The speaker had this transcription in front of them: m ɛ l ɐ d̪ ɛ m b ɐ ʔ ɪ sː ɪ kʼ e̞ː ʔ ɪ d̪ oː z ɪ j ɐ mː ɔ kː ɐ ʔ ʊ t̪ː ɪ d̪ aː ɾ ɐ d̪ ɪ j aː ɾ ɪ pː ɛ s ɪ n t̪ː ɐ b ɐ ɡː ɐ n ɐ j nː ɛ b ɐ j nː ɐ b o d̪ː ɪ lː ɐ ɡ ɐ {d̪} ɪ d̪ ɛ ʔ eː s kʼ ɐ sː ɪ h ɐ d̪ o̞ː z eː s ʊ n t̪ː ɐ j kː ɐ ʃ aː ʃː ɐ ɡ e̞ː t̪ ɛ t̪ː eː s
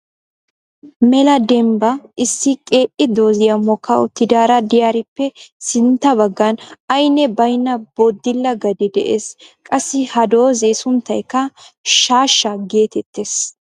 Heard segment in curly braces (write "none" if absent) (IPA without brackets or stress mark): d̪